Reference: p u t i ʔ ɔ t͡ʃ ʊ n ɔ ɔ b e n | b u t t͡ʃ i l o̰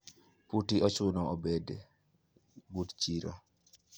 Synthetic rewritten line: p u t i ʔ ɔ t͡ʃ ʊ n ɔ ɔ b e d | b u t t͡ʃ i ɾ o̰